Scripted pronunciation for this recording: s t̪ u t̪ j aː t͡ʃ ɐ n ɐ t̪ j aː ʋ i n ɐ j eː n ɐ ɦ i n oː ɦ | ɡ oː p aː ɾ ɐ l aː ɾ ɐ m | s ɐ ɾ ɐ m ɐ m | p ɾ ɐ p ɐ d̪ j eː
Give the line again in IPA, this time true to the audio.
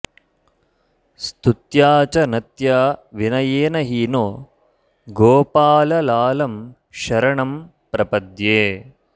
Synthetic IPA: s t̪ u t̪ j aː t͡ʃ ɐ n ɐ t̪ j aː ʋ i n ɐ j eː n ɐ ɦ i n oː | ɡ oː p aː l ɐ l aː l ɐ m | ʃ ɐ ɾ ɐ ɳ ɐ m | p ɾ ɐ p ɐ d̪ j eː